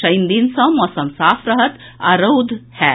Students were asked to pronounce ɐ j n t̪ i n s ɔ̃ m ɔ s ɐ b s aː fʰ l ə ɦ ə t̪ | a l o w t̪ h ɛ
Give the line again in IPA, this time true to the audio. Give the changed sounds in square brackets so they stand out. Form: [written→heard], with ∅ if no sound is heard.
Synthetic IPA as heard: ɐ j n [t̪→d̪] i n s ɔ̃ m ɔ s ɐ [b→m] s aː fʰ [l→ɾ] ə ɦ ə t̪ | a [l→ɾ] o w [t̪→d̪] h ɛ